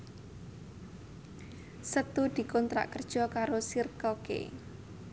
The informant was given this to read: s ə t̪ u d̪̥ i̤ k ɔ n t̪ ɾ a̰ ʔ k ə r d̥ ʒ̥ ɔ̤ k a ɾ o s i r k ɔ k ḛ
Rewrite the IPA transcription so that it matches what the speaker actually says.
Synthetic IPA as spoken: s ə t̪ u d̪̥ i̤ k ɔ n t̪ ɾ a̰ ʔ k ə r d̥ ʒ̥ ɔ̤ k a ɾ o s i r k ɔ k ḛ